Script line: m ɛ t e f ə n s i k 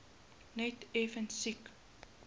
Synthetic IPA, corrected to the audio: n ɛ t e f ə n s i k